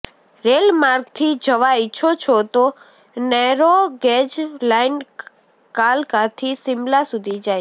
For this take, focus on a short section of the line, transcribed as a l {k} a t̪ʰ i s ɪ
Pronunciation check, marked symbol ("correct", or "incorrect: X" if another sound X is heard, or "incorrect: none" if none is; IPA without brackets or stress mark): correct